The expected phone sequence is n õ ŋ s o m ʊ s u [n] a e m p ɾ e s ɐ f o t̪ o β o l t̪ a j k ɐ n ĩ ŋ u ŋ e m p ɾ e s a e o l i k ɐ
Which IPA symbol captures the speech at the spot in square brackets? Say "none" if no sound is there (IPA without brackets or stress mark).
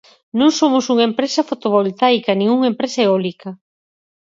ŋ